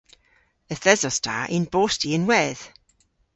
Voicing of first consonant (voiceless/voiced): voiceless